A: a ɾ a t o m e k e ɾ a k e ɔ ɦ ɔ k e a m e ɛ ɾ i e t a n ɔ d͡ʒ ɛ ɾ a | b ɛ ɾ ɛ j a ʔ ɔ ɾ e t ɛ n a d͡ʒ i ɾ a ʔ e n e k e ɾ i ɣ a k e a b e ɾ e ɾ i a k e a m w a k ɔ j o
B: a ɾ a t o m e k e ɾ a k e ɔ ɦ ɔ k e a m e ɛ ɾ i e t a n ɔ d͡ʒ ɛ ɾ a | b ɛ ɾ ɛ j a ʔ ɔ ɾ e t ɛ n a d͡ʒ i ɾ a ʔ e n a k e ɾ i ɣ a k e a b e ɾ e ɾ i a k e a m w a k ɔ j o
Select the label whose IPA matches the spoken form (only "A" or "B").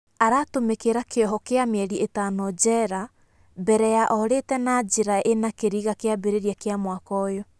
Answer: B